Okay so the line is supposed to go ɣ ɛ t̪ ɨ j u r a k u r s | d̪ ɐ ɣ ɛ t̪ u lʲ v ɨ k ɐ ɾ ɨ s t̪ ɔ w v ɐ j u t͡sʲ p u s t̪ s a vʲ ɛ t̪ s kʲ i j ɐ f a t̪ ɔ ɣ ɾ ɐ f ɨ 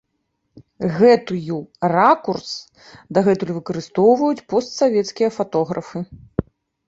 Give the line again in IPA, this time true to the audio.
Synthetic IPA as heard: ɣ ɛ t̪ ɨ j u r a k u r s | d̪ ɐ ɣ ɛ t̪ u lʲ v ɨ k ɐ ɾ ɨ s t̪ ɔ w v ɐ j u t͡sʲ p ɔ s t̪ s a vʲ ɛ t̪ s kʲ i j ɐ f a t̪ ɔ ɣ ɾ ɐ f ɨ